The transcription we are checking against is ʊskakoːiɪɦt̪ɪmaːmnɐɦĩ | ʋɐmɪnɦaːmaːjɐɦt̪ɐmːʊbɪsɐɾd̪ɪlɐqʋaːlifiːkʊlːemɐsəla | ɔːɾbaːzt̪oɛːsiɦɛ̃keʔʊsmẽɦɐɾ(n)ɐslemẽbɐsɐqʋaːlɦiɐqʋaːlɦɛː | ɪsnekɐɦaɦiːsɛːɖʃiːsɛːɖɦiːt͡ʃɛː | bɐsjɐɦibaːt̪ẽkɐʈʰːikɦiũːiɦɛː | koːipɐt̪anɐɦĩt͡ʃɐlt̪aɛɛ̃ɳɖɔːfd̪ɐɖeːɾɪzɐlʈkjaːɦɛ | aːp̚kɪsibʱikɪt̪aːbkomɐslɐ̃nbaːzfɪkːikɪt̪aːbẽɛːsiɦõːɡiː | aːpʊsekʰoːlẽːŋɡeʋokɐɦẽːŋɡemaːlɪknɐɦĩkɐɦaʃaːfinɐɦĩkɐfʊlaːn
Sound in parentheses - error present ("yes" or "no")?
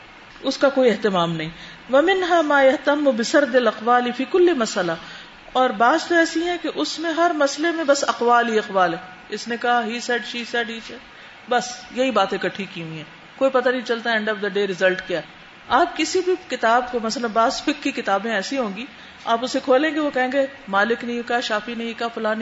yes